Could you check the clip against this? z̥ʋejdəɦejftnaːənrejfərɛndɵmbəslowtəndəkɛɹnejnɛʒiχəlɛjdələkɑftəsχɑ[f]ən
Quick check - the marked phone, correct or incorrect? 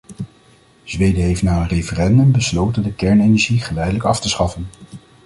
correct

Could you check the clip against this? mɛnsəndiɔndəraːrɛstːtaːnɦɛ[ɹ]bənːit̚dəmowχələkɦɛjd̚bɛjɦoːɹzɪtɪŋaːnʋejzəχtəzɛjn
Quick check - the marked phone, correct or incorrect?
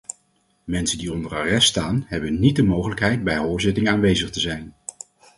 incorrect: none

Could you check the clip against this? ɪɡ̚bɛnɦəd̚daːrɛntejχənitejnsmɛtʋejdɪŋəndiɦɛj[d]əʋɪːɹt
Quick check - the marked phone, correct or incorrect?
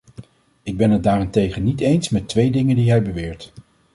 incorrect: b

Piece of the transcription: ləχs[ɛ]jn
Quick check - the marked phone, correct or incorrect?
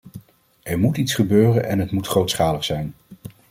correct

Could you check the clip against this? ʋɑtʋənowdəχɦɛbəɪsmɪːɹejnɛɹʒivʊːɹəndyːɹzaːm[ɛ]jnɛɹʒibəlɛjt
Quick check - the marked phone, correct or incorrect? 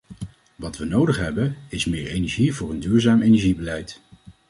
incorrect: e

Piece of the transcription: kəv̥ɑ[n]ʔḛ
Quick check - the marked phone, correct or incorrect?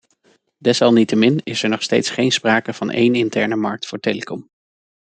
correct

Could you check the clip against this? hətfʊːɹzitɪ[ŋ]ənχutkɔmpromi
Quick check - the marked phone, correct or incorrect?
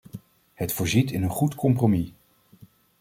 incorrect: n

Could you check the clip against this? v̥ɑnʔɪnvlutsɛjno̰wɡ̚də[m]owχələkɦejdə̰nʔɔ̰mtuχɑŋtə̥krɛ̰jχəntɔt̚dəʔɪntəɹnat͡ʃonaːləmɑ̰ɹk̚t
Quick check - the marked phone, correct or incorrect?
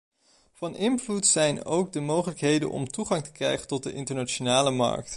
correct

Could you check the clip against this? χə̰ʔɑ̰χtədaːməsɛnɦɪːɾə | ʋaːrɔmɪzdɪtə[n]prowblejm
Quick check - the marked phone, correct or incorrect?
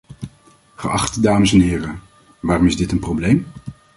correct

